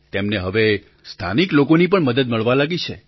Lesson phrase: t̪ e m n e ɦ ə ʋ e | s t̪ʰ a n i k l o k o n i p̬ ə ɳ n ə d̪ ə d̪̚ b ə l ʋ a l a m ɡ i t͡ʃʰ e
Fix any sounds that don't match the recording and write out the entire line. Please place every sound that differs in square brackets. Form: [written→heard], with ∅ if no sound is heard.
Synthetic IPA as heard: t̪ e m n e ɦ ə ʋ e | s t̪ʰ a n i k l o k o n i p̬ ə ɳ [n→m] ə d̪ ə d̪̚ [b→m] ə [l→ɭ] ʋ a l a [m→∅] ɡ i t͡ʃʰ e